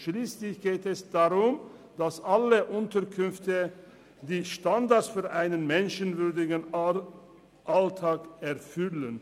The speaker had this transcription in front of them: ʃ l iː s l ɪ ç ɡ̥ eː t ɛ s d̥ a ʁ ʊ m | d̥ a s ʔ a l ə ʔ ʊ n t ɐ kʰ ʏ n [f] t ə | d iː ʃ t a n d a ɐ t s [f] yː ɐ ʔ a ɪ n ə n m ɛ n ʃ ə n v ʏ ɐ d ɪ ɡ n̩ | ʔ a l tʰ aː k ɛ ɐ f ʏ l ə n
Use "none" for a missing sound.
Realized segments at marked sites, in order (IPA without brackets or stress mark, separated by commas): f, f